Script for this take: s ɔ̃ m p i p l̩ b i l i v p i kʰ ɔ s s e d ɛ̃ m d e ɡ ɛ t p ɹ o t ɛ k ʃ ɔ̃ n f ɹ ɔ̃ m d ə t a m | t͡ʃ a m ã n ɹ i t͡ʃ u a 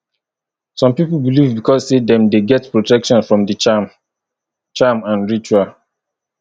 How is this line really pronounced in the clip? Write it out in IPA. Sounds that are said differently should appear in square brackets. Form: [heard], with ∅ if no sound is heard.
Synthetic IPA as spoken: s ɔ̃ m p i p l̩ b i l i v [b] i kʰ ɔ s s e d ɛ̃ m d e ɡ ɛ t p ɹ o t ɛ k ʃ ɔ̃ n f ɹ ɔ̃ m d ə [t͡ʃ] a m | t͡ʃ a m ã n ɹ i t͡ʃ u a

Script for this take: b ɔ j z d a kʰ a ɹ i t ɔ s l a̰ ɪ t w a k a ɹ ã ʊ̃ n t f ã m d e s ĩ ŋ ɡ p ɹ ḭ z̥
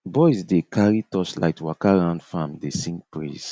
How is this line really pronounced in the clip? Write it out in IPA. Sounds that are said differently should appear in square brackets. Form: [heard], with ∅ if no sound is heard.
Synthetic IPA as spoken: b ɔ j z d [e] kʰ a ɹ i t ɔ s l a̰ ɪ t w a k a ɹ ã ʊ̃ n [d] f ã m d e s ĩ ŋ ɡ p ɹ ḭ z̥

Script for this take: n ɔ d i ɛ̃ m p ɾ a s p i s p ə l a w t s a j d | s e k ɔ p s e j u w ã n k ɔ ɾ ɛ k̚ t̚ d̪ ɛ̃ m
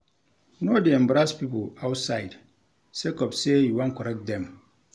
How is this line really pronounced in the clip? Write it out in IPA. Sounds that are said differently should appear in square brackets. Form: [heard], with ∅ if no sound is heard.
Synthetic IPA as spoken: n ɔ d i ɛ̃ m [b] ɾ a s p i [∅] p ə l a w t s a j d | s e k ɔ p s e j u w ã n k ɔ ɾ ɛ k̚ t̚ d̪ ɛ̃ m

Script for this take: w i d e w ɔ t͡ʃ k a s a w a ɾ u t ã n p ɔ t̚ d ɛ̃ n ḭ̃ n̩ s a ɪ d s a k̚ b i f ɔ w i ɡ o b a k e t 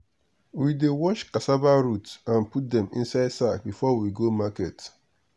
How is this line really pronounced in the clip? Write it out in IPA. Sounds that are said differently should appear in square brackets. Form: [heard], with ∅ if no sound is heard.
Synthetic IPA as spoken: w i d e w ɔ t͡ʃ k a s a [b] a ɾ u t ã n p [u] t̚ d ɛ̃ [m] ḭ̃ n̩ s a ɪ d s a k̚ b i f ɔ w i ɡ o [m] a k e t

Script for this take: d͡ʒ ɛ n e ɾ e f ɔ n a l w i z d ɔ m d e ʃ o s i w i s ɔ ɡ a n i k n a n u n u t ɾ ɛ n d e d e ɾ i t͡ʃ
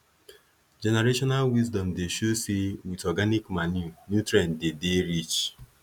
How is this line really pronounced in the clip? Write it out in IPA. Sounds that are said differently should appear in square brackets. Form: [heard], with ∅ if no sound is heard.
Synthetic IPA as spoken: d͡ʒ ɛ n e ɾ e [ʃ] ɔ n a l w i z d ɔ m d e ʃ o s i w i [t] ɔ ɡ a n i k [m] a n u n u t ɾ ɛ n d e d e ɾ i t͡ʃ

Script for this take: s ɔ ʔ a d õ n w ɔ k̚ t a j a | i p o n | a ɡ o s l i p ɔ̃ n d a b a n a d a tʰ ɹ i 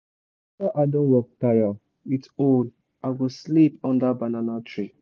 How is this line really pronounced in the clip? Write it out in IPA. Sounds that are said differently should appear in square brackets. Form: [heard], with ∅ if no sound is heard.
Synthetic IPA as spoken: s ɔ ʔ a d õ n w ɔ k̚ t a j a | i [t] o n | a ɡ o s l i p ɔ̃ n d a b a n a [n] a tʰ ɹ i

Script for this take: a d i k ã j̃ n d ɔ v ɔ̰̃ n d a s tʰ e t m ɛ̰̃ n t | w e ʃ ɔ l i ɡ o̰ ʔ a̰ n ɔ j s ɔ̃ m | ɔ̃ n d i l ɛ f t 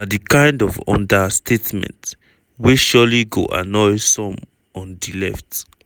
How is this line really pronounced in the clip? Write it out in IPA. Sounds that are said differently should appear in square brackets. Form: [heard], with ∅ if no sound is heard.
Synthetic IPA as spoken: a d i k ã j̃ n d ɔ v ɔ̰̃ n d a s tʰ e t m ɛ̰̃ n t | w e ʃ ɔ l i ɡ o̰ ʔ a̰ n ɔ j s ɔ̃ m | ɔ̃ n d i l ɛ f t

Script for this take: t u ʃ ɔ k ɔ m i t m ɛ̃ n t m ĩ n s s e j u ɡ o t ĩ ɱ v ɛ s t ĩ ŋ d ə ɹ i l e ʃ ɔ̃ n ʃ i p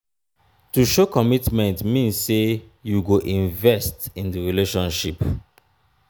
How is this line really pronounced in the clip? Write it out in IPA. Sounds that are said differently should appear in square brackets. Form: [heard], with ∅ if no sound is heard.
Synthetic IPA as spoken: t u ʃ [o] k ɔ m i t m ɛ̃ n t m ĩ n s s e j u ɡ o [ʔ] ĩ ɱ v ɛ s t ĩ [n] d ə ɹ i l e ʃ ɔ̃ n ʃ i p

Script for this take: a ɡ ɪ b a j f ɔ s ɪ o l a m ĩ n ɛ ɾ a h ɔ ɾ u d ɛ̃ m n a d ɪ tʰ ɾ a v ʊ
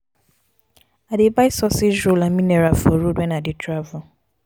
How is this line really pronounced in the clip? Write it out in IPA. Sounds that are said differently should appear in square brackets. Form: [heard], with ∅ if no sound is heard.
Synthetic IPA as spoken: a [d] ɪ b a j [s] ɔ s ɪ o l a m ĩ n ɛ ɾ a [f] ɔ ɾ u d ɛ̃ [∅] n a d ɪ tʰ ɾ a v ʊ

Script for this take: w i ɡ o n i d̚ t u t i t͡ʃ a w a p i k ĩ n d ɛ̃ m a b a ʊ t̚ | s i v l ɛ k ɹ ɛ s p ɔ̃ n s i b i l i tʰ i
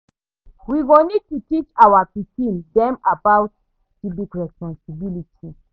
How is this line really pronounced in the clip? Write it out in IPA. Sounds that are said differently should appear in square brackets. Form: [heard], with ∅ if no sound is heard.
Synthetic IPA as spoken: w i ɡ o n i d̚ t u t i t͡ʃ a w a p i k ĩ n d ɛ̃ m a b a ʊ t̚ | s i [b] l [i] k ɹ ɛ s p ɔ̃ n s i b i l i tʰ i

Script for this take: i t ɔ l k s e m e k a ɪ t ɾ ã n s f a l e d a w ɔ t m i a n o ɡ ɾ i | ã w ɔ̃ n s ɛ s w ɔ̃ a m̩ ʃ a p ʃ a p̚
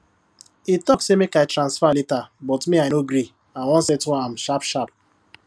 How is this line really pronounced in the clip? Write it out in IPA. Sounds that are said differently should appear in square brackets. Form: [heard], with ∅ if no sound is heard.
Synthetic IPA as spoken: i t ɔ [∅] k s e m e k a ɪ t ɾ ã n s f a l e [t] a [b] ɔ t m i a n o ɡ ɾ i | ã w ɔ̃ n s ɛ [t] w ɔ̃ a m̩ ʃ a p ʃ a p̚

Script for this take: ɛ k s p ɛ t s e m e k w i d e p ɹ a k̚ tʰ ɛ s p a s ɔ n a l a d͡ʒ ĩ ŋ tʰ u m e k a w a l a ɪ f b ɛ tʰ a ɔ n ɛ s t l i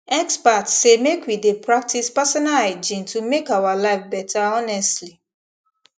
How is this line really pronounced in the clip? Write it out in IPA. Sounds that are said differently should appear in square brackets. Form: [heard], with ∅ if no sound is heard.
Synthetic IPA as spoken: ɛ k s p [a] t s e m e k w i d e p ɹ a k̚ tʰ [i] s p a s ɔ n a l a d͡ʒ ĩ [n] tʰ u m e k a w a l a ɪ f b ɛ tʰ a ɔ n ɛ s t l i

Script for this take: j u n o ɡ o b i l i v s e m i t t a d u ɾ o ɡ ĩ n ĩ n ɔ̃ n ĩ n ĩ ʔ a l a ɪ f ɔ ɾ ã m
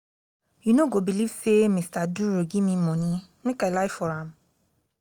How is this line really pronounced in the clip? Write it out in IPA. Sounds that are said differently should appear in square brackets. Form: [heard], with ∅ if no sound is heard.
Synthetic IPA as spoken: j u n o ɡ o b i l i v s e m i [s] t a d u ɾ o ɡ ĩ [m] ĩ [m] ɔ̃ n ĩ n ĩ [k] a l a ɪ f ɔ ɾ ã m

